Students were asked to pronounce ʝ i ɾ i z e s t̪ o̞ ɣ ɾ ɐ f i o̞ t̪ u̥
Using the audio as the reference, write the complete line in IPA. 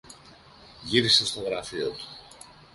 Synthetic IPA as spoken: ʝ i ɾ i s e s t̪ o̞ ɣ ɾ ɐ f i o̞ t̪ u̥